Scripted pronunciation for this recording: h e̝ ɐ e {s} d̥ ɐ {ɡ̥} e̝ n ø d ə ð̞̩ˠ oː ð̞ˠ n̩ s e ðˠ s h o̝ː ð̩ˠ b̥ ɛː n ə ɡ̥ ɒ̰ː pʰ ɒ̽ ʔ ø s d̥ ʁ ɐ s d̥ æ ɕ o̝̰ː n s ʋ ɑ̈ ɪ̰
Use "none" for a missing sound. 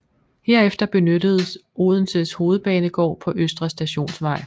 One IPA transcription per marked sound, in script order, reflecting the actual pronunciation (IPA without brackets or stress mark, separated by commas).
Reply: f, b̥